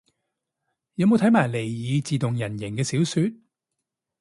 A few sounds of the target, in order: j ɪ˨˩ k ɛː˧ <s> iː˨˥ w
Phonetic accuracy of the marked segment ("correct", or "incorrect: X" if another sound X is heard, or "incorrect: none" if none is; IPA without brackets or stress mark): correct